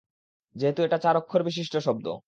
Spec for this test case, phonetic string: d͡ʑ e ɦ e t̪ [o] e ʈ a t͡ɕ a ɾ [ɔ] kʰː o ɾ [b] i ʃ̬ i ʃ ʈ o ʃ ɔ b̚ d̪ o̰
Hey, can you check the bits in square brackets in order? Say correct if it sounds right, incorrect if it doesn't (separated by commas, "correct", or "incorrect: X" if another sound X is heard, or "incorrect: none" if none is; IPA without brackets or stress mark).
incorrect: u, incorrect: o, correct